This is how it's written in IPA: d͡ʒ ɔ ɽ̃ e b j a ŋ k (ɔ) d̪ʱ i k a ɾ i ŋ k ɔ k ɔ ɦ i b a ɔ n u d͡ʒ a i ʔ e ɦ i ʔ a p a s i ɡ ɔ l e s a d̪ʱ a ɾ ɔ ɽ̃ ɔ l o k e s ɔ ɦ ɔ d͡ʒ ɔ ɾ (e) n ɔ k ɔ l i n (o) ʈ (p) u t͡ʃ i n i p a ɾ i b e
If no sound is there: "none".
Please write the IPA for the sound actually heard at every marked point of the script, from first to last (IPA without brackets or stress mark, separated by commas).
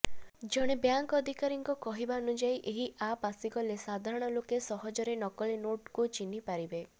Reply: ɔ, e, o, k